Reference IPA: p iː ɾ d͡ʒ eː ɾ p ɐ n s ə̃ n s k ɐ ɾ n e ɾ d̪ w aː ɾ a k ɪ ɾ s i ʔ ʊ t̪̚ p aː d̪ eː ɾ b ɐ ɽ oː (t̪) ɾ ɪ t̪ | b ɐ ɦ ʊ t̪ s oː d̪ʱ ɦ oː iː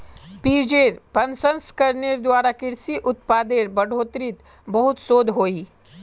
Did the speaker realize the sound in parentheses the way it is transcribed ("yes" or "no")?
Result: yes